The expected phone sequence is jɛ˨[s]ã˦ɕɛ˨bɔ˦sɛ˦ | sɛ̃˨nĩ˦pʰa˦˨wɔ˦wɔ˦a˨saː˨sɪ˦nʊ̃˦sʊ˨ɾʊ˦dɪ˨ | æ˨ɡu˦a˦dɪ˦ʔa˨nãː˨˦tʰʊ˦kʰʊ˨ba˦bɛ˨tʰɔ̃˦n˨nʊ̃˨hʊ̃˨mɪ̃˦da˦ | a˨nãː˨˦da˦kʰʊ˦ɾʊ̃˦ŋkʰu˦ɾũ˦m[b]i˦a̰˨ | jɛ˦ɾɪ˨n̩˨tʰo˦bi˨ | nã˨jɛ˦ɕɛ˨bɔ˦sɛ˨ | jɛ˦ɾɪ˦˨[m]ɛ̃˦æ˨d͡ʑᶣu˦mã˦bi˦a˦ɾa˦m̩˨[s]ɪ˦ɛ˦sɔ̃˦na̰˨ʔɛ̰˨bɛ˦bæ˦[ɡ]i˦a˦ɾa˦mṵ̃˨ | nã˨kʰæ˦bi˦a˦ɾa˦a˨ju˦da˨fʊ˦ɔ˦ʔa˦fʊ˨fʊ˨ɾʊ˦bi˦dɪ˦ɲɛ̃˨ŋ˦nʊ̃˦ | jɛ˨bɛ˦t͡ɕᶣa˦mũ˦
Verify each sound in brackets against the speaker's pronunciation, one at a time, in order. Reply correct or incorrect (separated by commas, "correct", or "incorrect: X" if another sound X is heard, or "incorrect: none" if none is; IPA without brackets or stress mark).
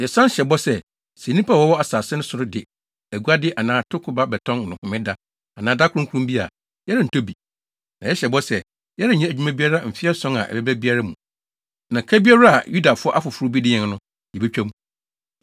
correct, correct, incorrect: ɲ, incorrect: f, incorrect: b